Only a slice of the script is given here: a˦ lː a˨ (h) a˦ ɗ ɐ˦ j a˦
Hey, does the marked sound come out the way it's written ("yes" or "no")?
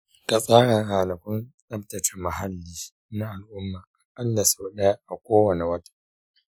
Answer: no